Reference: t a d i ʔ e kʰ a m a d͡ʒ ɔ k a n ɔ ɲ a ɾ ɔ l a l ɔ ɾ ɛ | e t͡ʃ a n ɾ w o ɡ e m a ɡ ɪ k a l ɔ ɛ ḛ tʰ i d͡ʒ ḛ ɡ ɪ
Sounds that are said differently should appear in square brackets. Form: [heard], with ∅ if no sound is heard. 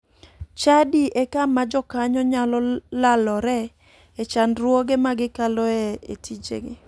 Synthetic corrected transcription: [t͡ʃ] a d i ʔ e [k] a m a d͡ʒ ɔ k a [ɲ] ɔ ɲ a [l] ɔ l a l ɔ ɾ ɛ | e t͡ʃ a n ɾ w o ɡ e m a ɡ ɪ k a l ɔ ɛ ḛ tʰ i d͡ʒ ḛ ɡ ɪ